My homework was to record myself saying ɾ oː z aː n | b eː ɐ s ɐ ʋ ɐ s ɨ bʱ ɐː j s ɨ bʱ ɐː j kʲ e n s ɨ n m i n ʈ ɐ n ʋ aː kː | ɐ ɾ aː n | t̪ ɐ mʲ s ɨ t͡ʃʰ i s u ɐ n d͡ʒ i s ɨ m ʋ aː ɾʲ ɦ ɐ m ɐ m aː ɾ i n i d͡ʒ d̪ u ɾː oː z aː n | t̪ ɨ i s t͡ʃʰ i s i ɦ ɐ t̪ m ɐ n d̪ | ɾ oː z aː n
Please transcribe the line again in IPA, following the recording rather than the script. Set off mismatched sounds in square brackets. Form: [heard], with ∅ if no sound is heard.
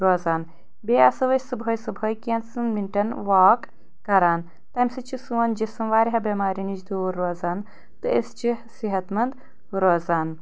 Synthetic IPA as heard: ɾ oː z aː n | b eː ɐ s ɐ ʋ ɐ s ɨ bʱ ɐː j s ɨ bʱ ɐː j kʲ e n s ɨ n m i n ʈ ɐ n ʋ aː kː | ɐ ɾ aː n | t̪ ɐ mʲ s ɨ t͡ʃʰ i s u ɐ n d͡ʒ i s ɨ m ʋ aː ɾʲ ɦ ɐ [b] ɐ m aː ɾ i n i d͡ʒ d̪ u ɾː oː z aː n | t̪ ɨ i s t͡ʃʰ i s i ɦ ɐ t̪ m ɐ n d̪ | ɾ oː z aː n